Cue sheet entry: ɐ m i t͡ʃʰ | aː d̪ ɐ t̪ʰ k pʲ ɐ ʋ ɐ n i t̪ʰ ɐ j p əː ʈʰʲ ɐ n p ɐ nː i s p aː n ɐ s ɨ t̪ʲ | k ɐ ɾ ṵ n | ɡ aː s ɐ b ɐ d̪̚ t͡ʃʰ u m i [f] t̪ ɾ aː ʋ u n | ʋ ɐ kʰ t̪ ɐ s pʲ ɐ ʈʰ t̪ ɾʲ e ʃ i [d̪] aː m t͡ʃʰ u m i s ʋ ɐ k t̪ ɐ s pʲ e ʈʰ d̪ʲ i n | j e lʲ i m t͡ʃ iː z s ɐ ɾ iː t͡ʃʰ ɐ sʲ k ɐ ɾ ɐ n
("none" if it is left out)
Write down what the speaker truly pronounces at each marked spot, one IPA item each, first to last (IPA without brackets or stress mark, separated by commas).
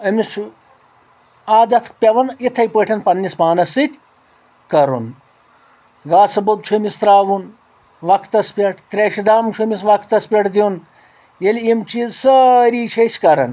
s, d̪